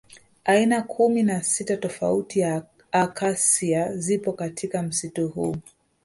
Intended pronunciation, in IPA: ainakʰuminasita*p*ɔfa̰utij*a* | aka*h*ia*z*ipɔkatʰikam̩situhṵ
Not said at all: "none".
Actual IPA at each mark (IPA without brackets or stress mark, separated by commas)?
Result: t, a, s, z